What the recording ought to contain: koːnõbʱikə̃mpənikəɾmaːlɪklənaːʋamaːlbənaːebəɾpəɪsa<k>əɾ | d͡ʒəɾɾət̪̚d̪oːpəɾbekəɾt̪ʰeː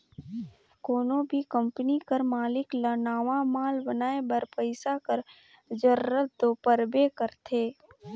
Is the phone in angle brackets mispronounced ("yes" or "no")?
no